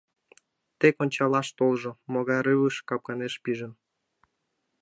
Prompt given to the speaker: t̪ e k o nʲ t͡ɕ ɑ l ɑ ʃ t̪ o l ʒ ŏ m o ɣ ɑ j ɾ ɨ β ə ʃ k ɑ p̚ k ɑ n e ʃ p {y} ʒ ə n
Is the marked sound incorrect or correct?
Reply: incorrect